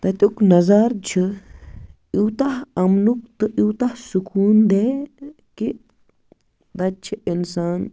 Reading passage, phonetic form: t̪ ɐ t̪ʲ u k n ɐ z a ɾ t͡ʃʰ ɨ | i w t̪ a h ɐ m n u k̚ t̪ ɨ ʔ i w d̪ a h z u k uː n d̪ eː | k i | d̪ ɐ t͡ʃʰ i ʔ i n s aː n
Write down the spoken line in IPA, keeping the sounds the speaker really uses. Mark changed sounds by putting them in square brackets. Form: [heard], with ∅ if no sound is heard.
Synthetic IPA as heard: t̪ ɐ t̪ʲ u k n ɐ z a ɾ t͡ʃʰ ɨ | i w t̪ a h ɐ m n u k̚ t̪ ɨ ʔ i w [t̪] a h [s] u k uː n d̪ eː | k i | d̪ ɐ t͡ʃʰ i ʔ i n s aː n